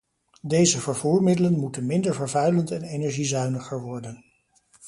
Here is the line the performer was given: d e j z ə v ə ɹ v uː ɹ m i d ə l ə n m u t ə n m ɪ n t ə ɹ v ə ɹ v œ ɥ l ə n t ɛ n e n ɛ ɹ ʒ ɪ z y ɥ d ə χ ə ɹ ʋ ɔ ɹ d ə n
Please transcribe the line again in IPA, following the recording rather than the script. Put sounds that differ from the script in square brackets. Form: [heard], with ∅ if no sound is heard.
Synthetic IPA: d e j z ə v ə ɹ v uː ɹ m [ɪ] d ə l ə n m u t ə n m ɪ n [d] ə ɹ v ə ɹ v œ ɥ l ə n t ɛ n e n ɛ ɹ ʒ [i] z [œ] ɥ [n] ə χ ə ɹ ʋ ɔ ɹ d ə n